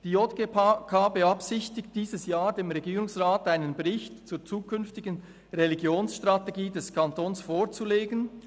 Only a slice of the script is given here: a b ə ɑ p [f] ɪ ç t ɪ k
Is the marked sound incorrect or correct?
incorrect